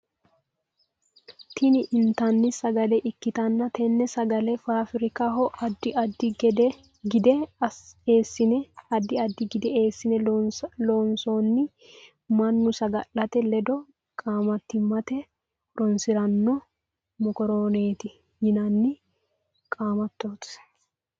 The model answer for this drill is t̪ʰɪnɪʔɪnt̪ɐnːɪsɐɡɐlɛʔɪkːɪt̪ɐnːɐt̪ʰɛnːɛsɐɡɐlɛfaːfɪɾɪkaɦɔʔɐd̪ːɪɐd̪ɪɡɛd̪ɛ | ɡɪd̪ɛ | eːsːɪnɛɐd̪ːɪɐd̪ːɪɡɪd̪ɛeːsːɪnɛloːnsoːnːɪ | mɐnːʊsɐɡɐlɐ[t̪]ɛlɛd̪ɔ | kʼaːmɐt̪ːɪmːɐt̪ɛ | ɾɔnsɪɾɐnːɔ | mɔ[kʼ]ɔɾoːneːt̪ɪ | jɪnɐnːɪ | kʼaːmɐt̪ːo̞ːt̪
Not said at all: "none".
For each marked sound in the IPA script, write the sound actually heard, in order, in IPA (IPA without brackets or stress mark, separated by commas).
t̪, k